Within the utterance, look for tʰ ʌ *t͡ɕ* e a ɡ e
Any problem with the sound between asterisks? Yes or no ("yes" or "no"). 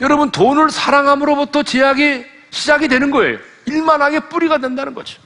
no